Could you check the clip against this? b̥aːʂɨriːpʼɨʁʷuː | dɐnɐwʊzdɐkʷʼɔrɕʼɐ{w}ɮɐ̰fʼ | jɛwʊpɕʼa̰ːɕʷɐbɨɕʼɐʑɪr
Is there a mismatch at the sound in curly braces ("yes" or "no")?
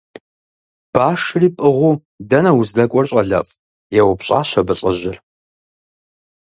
yes